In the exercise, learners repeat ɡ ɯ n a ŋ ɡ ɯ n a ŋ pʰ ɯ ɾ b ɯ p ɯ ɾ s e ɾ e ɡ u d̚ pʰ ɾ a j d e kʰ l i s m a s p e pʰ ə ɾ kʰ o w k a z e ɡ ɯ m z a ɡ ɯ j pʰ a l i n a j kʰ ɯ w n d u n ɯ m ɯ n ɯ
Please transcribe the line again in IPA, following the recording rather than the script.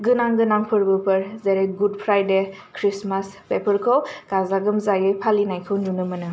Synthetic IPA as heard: ɡ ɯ n a ŋ ɡ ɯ n a ŋ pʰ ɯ ɾ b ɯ p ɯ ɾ z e ɾ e ɡ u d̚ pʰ ɾ a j d e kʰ ɾ i s m a s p e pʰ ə ɾ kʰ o w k a z a ɡ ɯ m z a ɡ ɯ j pʰ a l i n a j kʰ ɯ w n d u n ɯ m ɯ n ɯ